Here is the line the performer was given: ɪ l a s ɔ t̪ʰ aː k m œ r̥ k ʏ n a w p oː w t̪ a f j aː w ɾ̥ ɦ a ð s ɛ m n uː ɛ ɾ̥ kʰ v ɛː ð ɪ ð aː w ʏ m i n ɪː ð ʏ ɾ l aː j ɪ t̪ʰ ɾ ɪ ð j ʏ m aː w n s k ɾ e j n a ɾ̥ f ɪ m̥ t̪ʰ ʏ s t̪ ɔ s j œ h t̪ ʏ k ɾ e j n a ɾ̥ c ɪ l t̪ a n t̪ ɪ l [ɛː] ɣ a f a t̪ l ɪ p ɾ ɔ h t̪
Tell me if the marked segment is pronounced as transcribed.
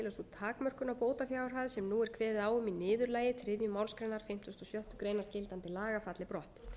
no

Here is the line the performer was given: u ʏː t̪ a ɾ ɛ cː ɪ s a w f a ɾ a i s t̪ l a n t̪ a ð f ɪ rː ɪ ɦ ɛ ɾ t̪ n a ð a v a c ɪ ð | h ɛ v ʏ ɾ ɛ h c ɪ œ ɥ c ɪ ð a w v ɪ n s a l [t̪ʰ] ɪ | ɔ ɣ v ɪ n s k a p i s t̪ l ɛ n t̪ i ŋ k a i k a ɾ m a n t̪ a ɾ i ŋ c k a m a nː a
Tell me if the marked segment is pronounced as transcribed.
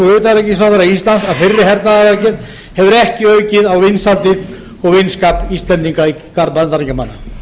no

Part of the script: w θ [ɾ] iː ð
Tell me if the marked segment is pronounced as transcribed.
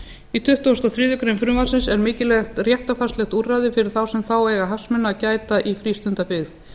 yes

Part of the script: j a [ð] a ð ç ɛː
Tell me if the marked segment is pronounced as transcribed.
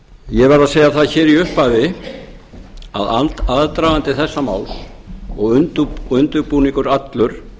no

